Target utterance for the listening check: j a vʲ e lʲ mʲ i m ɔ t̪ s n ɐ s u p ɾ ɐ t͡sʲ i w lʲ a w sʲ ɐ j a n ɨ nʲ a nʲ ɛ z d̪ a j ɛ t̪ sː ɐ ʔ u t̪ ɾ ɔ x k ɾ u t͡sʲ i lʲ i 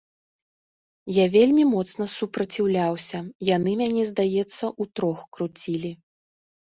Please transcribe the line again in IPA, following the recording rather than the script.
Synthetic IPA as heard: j a vʲ e lʲ mʲ i m ɔ t̪ s n ɐ s u p ɾ ɐ t͡sʲ i w lʲ a w sʲ ɐ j a n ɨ mʲ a nʲ ɛ z d̪ a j ɛ t̪ sː ɐ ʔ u t̪ ɾ ɔ x k ɾ u t͡sʲ i lʲ i